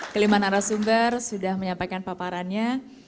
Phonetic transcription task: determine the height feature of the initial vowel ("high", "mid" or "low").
mid